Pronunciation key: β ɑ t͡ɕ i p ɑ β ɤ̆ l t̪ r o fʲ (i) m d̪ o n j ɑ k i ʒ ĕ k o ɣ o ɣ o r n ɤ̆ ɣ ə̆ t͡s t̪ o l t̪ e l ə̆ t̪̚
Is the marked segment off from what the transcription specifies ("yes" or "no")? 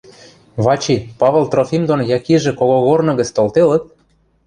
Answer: no